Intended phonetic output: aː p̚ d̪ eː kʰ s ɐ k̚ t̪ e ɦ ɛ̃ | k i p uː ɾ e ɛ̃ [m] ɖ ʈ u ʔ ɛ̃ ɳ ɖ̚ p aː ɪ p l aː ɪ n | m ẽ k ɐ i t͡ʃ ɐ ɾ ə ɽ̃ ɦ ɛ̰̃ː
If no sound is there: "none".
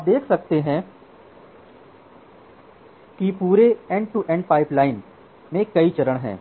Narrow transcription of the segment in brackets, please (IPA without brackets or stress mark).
ɳ